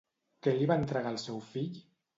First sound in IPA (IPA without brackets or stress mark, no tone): k